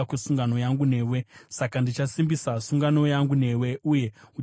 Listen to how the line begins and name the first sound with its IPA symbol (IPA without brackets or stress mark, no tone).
k